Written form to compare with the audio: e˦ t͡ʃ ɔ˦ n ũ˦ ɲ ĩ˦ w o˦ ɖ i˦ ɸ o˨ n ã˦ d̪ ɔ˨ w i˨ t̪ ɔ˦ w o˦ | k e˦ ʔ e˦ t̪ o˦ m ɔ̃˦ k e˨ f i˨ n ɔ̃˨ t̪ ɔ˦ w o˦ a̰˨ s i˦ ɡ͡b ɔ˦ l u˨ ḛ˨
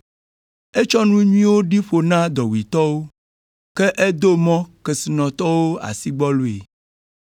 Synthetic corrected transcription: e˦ t͡ʃ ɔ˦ n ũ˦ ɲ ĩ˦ w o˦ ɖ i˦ ɸ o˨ n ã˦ d̪ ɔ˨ w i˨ t̪ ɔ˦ w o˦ | k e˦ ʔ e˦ d̪ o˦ m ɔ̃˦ k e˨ s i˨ n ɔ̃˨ t̪ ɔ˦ w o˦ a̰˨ s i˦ ɡ͡b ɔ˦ l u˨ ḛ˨